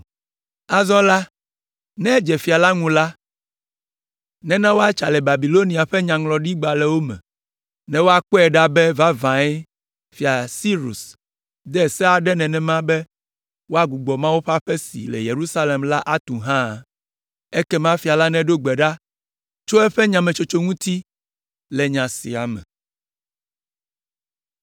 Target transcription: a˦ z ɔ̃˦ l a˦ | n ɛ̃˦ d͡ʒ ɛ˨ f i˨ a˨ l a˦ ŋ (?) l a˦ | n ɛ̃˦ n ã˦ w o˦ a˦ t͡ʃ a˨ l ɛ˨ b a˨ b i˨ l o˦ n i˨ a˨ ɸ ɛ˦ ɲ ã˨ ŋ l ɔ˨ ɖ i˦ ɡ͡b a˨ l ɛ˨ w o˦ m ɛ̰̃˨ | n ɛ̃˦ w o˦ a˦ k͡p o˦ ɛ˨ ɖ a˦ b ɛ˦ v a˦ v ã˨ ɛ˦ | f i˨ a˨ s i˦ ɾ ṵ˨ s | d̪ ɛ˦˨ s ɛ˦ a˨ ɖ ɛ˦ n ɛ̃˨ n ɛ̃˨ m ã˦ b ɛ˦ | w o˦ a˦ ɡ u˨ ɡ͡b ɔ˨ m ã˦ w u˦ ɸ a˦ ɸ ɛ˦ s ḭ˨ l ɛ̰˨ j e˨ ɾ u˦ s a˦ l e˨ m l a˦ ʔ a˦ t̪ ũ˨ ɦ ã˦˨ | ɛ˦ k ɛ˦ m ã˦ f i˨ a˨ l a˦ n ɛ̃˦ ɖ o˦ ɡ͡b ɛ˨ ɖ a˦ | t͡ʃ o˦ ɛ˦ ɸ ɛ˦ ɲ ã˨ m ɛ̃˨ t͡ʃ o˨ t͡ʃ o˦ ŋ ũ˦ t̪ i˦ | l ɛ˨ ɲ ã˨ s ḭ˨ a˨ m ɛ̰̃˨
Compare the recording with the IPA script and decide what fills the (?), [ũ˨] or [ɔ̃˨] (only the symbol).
ũ˨